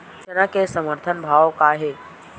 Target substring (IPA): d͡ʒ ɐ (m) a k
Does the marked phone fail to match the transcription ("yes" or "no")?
yes